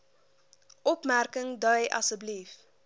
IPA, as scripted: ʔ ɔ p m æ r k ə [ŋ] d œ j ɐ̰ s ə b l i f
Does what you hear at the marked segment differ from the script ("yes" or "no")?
no